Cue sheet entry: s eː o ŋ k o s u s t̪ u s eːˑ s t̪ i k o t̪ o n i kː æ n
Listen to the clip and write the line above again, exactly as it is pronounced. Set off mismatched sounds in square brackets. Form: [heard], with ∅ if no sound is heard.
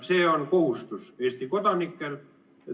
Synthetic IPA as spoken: s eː o [n] k o [h] u s t̪ u s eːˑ s t̪ i k o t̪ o n i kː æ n